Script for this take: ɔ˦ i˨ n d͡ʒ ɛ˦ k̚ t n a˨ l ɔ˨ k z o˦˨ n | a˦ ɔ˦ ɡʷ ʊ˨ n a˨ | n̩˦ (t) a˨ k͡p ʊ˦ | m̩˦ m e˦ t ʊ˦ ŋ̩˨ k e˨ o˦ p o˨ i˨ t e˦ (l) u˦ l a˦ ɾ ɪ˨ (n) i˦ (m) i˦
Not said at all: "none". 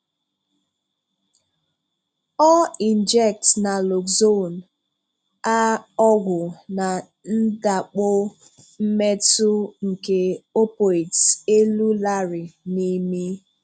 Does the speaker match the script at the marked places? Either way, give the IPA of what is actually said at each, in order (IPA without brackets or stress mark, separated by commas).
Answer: d, l, n, m